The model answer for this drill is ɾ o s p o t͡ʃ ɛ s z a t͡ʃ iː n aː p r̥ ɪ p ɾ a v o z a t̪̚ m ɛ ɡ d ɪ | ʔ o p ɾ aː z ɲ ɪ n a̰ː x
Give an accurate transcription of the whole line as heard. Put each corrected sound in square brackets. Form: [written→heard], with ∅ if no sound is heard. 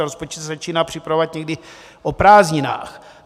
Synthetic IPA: ɾ o s p o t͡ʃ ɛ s z a t͡ʃ iː n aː p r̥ ɪ p ɾ a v o [z→v] a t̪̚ [m→ɲ] ɛ ɡ d ɪ | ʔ o p ɾ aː z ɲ ɪ n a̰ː x